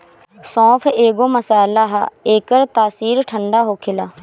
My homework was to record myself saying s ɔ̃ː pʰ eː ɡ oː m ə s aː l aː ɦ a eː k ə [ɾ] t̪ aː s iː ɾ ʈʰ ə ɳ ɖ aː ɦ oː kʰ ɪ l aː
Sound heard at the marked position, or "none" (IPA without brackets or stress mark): ɾ